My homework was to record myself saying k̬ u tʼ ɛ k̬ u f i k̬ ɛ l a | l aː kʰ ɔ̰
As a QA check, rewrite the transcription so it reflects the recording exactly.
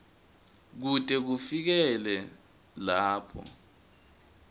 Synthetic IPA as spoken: k̬ u tʼ ɛ k̬ u f i k̬ ɛ l ɛ | l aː pʰ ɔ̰